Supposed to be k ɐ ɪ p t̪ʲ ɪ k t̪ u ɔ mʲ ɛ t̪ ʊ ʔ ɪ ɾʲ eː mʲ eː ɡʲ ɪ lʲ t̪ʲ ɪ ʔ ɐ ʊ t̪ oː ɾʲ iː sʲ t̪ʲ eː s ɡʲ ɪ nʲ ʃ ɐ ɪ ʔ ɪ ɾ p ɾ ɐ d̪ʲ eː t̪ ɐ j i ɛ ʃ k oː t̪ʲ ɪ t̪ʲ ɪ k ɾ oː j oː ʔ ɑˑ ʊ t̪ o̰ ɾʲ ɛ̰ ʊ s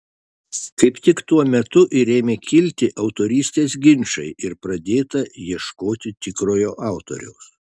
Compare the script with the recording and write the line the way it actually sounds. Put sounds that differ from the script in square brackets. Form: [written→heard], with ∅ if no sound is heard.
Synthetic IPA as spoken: k ɐ ɪ p t̪ʲ ɪ k t̪ u ɔ mʲ ɛ t̪ ʊ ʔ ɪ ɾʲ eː mʲ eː [ɡʲ→kʲ] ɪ lʲ t̪ʲ ɪ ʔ ɐ ʊ t̪ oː ɾʲ iː sʲ t̪ʲ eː s ɡʲ ɪ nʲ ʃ ɐ ɪ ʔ ɪ ɾ p ɾ ɐ d̪ʲ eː t̪ ɐ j i ɛ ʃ k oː t̪ʲ ɪ t̪ʲ ɪ k ɾ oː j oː ʔ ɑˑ ʊ t̪ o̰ ɾʲ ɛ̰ ʊ s